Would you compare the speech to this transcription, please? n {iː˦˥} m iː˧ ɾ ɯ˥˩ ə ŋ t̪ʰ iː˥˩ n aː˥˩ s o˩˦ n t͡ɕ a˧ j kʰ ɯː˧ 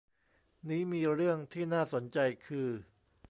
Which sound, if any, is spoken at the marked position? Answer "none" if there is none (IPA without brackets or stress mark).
iː˦˥